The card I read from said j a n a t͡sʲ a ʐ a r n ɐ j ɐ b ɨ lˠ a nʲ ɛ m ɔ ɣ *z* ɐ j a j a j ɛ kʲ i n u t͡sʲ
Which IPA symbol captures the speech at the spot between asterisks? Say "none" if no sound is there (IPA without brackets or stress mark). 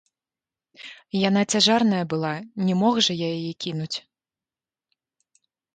ʐ